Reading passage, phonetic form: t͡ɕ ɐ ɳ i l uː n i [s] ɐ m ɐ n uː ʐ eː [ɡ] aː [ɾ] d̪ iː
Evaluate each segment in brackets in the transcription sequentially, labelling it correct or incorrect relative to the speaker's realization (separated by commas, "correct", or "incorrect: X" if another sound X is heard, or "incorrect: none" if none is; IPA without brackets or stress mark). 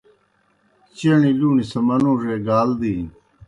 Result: correct, correct, incorrect: l